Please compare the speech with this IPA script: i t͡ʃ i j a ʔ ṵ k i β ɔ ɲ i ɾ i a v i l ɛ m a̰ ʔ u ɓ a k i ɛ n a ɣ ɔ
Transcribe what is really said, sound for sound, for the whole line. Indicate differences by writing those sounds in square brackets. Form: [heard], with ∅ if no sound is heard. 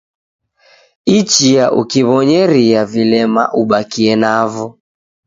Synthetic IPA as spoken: i t͡ʃ i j a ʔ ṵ k i β ɔ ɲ [ɛ] ɾ i a v i l ɛ m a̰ ʔ u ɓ a k i ɛ n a [v] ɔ